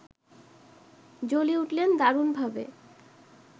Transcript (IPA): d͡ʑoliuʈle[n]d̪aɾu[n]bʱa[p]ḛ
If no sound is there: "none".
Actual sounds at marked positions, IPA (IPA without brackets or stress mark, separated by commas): n, n, b